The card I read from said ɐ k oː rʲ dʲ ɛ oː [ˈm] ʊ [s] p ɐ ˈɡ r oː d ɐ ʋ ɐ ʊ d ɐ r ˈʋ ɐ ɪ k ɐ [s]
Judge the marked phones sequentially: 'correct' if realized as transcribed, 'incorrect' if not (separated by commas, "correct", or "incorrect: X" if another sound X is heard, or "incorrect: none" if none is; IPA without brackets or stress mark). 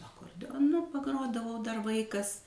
incorrect: n, incorrect: none, correct